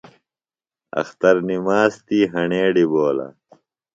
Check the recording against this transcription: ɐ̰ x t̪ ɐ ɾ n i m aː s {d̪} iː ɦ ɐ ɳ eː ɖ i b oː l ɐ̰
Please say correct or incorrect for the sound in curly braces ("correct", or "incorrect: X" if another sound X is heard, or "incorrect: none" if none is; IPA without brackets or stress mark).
incorrect: t̪